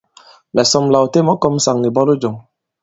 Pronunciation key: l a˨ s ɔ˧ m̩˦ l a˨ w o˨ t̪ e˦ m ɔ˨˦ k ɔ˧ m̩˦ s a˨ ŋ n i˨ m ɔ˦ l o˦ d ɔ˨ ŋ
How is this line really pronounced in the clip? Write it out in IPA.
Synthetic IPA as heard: l ɛ˨ s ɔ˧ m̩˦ l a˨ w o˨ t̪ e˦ m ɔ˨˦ k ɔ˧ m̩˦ s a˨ ŋ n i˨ b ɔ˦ l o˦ d͡ʒ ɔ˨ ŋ

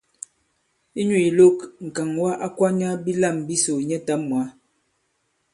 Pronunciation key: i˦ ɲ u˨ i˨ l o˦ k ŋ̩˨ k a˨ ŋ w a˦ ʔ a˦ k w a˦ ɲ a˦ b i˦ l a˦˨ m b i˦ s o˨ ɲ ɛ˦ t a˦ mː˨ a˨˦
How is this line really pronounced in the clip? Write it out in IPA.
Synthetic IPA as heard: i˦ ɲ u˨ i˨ l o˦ k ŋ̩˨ k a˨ ŋ w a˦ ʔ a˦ k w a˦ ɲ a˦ b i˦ l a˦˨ m b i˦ s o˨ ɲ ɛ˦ t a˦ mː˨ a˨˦

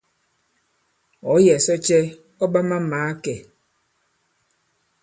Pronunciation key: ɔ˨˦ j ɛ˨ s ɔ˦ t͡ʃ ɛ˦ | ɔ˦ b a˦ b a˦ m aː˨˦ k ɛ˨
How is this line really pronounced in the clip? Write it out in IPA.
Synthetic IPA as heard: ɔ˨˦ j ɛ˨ s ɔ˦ t͡ʃ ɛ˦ | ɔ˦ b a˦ m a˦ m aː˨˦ k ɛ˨

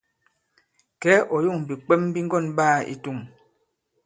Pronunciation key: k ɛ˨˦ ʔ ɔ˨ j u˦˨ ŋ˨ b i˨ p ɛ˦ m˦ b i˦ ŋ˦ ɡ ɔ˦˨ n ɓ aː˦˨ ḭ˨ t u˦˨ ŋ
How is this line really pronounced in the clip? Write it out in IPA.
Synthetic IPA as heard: k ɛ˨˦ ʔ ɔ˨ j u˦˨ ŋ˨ b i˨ k͡p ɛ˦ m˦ b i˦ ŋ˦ ɡ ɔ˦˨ n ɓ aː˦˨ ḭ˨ t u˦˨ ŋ

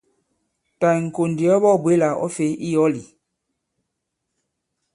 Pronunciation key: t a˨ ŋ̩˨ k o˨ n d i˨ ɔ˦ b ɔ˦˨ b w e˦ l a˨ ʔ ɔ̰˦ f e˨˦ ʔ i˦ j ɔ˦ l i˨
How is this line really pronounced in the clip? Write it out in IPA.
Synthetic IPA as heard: t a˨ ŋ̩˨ k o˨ n d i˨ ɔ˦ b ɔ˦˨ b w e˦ l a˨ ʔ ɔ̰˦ f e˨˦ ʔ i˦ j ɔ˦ l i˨

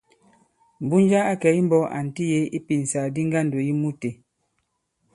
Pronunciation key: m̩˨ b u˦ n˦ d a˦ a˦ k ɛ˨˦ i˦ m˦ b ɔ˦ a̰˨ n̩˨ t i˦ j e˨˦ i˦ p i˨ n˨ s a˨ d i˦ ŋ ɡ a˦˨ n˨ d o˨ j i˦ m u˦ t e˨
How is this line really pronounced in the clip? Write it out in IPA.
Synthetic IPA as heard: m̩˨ b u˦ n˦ d͡ʒ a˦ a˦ k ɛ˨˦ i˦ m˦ b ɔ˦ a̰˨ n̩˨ t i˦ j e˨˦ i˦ p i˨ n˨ s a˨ d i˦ ŋ ɡ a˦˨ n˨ d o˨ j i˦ m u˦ t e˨

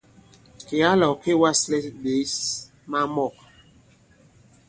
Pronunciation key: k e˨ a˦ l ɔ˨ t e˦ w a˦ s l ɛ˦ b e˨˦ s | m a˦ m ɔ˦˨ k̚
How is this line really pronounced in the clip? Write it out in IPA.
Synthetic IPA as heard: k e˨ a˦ l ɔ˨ k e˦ w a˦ s l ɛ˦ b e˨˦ s | m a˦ m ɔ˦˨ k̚

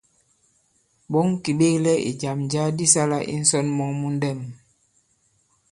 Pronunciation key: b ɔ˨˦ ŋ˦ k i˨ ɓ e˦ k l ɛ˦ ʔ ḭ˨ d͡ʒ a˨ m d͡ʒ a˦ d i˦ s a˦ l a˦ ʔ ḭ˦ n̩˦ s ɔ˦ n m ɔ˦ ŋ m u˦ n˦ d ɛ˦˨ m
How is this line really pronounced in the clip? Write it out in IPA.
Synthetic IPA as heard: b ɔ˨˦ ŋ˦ k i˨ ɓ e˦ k l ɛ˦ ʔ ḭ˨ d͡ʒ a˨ m d͡ʒ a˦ d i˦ s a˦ l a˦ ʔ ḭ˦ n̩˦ s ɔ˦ n m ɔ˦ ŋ m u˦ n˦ d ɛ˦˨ m

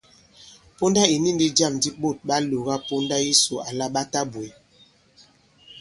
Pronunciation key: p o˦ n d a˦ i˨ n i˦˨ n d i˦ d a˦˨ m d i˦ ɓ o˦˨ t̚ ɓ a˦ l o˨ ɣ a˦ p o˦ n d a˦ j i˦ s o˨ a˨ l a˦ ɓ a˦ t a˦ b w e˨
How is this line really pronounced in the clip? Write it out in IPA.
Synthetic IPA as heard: p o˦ n d a˦ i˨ n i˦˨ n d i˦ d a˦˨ m d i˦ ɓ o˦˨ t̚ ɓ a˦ l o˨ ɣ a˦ p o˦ n d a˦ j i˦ s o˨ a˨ l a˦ ɓ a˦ t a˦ b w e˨

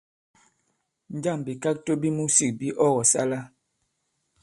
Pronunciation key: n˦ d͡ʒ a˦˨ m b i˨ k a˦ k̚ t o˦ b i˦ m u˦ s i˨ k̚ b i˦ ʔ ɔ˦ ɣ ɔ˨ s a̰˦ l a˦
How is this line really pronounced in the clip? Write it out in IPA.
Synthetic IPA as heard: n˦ d͡ʒ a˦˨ m b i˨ k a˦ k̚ t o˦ b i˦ m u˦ s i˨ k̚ b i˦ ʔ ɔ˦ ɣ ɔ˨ s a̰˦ l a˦

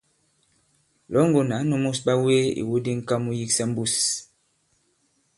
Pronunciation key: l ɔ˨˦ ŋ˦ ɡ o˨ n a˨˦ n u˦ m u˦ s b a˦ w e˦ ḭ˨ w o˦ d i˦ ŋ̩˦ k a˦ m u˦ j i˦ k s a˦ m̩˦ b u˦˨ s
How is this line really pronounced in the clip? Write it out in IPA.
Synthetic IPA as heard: l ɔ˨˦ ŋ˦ ɡ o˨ n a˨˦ n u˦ m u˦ s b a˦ w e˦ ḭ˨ w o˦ d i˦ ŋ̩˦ k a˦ m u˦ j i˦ k s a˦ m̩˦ b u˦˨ s

